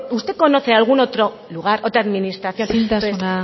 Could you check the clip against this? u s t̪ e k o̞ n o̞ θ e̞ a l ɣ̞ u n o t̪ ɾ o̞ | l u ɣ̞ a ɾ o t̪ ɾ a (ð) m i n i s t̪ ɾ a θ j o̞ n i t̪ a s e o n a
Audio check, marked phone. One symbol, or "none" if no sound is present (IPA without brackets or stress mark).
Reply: ð